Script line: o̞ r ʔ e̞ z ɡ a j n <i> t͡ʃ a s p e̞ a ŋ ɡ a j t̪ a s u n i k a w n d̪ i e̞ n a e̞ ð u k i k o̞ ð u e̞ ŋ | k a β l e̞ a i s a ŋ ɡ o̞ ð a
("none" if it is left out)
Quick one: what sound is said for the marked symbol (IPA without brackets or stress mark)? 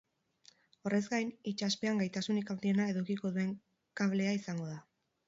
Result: i